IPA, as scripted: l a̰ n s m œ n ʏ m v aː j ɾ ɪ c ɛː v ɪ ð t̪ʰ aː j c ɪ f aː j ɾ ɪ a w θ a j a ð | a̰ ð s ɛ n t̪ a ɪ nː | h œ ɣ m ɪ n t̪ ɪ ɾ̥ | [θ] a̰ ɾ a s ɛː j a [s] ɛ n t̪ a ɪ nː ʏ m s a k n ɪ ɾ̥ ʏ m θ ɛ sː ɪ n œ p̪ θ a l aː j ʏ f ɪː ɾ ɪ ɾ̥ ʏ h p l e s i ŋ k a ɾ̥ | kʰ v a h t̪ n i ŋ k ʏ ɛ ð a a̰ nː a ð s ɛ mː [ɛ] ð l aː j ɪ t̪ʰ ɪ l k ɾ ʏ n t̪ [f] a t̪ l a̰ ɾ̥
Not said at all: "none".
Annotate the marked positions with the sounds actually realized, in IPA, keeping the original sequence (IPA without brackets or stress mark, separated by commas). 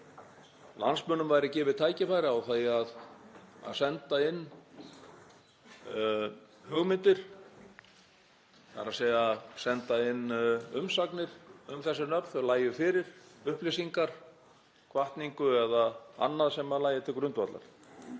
θ, s, a, v